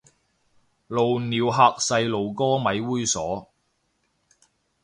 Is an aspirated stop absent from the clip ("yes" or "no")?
yes